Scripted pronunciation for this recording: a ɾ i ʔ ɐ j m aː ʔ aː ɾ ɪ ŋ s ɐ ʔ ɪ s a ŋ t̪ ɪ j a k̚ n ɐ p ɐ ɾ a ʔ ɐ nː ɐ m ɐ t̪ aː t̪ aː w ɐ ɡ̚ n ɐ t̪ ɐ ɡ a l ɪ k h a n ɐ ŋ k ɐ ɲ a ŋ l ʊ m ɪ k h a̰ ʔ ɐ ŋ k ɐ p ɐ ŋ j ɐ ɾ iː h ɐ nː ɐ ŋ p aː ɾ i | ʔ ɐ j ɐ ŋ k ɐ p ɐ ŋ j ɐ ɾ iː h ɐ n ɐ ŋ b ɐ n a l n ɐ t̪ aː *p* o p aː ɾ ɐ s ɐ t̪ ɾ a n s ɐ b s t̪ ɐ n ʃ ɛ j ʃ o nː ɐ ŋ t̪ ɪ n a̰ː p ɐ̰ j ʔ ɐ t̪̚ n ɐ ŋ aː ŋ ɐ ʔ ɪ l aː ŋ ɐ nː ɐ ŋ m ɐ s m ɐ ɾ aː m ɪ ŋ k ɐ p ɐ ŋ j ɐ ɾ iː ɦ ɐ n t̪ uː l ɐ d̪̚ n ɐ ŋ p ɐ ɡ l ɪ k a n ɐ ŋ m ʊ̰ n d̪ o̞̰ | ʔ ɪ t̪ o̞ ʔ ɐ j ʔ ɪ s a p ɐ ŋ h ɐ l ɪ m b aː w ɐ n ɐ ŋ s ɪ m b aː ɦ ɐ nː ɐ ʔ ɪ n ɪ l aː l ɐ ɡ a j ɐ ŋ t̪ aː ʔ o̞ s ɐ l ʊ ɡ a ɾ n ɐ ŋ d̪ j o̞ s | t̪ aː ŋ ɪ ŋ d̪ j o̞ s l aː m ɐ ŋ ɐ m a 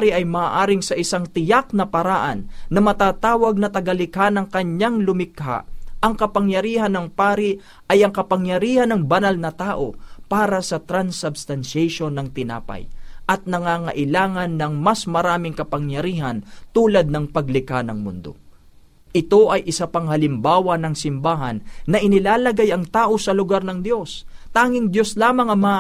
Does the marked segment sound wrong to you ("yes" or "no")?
yes